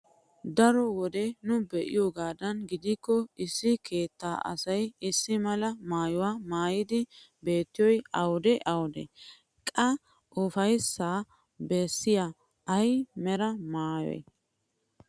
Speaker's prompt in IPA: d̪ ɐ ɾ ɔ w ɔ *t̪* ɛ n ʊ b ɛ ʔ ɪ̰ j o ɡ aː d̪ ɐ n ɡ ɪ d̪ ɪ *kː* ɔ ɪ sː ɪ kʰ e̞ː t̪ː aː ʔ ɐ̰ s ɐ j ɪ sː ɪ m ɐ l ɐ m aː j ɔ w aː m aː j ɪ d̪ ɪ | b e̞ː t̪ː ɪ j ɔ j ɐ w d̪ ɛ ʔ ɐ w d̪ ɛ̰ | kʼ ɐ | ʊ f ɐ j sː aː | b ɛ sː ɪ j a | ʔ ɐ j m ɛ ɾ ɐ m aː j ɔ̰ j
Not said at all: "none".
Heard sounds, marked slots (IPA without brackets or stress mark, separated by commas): d̪, kː